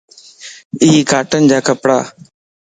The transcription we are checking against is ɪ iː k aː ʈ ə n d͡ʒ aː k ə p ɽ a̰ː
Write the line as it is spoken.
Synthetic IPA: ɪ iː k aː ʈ ə n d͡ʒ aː k ə p ɽ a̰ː